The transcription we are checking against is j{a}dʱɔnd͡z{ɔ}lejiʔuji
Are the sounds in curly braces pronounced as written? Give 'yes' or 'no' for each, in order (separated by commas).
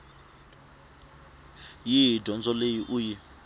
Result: no, yes